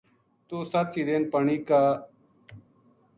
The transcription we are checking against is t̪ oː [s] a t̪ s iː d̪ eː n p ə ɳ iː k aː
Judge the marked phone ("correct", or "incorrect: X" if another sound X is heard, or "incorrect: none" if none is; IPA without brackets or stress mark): correct